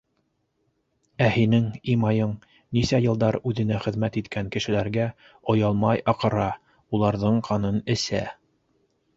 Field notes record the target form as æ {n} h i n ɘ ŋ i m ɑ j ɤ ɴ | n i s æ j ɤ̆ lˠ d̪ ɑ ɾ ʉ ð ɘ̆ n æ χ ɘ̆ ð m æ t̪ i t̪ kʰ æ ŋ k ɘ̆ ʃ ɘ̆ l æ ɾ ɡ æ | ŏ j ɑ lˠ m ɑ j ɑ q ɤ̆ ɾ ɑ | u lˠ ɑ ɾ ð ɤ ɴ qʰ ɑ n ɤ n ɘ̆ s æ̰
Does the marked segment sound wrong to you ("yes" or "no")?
yes